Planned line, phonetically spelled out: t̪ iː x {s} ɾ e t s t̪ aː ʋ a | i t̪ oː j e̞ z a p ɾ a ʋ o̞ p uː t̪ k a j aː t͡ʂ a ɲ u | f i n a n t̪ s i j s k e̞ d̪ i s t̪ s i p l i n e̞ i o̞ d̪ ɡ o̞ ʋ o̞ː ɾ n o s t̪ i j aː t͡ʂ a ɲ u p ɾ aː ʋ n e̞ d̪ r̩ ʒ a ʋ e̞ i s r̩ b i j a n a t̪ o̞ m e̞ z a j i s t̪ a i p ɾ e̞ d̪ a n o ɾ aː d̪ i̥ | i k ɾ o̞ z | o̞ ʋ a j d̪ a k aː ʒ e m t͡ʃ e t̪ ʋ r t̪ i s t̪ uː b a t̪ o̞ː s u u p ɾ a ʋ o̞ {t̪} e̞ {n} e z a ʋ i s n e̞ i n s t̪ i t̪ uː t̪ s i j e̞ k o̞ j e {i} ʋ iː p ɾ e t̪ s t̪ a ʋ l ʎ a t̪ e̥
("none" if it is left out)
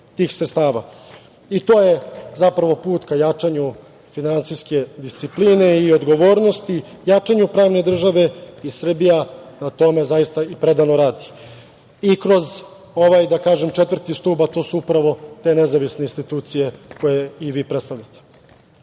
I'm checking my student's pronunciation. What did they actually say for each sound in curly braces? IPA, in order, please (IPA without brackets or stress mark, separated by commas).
s, t̪, n, i